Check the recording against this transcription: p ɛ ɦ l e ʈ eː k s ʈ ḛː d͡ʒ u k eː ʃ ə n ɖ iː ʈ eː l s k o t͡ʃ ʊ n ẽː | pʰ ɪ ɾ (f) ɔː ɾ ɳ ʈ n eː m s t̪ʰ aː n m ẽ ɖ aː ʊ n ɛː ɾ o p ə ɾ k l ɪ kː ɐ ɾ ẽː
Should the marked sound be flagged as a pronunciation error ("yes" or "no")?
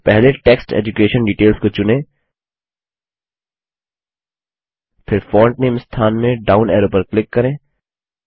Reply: no